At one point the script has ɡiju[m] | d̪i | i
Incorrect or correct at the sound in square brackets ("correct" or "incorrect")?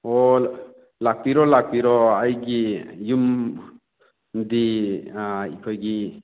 correct